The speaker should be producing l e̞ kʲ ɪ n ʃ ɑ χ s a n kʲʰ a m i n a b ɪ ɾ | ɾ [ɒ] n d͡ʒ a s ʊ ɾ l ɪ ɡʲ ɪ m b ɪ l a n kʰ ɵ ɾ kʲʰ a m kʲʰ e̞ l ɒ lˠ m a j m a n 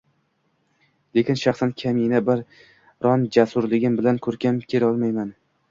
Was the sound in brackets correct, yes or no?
yes